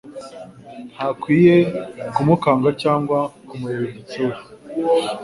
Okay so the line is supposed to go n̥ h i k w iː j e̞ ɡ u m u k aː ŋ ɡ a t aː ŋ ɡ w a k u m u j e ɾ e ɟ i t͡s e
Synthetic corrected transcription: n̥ h a k w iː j e̞ k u m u k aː ŋ ɡ a c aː ŋ ɡ w a k u m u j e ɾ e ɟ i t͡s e